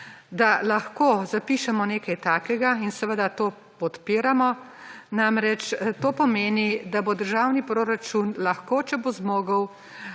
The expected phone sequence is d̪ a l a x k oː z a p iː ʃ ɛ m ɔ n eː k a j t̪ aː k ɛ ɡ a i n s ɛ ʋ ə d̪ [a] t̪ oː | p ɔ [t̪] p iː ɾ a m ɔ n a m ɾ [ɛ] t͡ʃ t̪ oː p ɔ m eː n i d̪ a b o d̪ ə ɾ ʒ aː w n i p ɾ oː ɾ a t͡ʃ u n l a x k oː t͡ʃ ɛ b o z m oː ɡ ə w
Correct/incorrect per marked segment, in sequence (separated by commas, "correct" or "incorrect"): correct, correct, correct